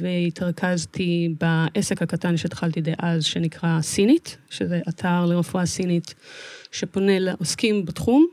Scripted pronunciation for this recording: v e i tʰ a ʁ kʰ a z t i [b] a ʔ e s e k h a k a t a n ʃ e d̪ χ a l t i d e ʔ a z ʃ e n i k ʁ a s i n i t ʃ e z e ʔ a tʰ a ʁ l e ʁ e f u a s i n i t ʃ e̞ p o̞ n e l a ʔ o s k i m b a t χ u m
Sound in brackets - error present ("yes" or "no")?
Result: no